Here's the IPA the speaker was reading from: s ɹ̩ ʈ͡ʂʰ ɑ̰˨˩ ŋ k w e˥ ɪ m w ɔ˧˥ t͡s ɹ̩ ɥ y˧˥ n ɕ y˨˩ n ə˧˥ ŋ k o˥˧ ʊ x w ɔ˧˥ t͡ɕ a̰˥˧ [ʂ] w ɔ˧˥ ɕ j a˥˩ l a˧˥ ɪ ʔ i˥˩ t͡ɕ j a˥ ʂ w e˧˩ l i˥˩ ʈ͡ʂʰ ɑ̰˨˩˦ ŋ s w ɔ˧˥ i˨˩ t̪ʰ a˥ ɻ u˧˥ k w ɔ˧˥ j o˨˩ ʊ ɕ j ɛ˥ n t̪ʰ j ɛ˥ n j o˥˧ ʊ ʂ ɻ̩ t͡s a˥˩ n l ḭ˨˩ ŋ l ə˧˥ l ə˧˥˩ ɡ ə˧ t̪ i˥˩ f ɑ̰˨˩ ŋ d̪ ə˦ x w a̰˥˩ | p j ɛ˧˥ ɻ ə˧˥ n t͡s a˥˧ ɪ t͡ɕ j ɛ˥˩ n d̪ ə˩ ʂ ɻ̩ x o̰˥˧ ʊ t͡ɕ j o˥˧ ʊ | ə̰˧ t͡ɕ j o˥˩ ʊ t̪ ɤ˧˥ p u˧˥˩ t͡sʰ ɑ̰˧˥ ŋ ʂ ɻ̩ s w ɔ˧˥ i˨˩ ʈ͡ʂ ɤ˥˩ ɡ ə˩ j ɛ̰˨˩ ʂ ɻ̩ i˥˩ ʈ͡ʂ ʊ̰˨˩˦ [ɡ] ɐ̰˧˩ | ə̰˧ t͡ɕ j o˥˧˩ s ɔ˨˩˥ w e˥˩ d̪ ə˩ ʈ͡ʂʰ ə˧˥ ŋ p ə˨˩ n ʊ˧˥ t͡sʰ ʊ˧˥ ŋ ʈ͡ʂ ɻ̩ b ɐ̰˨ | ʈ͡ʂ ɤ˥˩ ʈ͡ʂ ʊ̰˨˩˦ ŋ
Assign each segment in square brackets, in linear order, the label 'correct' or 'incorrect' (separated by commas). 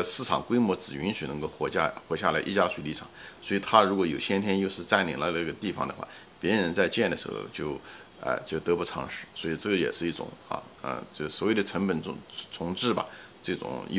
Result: incorrect, incorrect